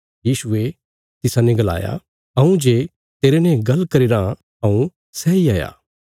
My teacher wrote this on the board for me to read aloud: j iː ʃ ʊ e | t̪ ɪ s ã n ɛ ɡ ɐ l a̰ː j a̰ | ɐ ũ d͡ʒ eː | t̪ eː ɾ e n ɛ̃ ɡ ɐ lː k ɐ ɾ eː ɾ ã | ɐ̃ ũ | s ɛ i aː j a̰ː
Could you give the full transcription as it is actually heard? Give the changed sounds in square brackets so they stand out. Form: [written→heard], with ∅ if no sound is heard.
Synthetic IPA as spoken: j iː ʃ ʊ e | t̪ ɪ s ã n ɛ ɡ ɐ l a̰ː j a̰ | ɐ ũ d͡ʒ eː | t̪ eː ɾ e n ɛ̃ ɡ ɐ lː k ɐ ɾ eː ɾ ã | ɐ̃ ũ | s ɛ i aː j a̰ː